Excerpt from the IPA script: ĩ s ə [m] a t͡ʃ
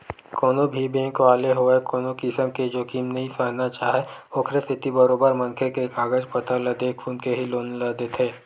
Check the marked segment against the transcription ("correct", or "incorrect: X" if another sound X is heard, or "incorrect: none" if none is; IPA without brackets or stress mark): incorrect: n